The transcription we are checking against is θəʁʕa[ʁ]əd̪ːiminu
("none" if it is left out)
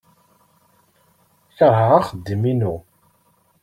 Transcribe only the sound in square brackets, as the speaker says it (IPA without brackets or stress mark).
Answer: χ